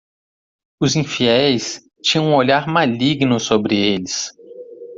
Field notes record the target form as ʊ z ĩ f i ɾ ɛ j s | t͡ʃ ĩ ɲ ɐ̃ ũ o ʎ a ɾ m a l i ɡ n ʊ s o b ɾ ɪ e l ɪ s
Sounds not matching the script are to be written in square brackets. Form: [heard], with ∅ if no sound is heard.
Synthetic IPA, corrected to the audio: ʊ z ĩ f i [∅] ɛ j s | t͡ʃ ĩ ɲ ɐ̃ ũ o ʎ a ɾ m a l i ɡ n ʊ s o b ɾ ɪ e l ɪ s